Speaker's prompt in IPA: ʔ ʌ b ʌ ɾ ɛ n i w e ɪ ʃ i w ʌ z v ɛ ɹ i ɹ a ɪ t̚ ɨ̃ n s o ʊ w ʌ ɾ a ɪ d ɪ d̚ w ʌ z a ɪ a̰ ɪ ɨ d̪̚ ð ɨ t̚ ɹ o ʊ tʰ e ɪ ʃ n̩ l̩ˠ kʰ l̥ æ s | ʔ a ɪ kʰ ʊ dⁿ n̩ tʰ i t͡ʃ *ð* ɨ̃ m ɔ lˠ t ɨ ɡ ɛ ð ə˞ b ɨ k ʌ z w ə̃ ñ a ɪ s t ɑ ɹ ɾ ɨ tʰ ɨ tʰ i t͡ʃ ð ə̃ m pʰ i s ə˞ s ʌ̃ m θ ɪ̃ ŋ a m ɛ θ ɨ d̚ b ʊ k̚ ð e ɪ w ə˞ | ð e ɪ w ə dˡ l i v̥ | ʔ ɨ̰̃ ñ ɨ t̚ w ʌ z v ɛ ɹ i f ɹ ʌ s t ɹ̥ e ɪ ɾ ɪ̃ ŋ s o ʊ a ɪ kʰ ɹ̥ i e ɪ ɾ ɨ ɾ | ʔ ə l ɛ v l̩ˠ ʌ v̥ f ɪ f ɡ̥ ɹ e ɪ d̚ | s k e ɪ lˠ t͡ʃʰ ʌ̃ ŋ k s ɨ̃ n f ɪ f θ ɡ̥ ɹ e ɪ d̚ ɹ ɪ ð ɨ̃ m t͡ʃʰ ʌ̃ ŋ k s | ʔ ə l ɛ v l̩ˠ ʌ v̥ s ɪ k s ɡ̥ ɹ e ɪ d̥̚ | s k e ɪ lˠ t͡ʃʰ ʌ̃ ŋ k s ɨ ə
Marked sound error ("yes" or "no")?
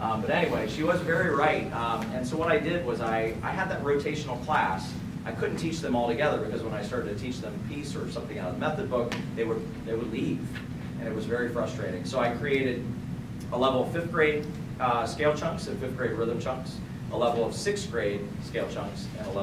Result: no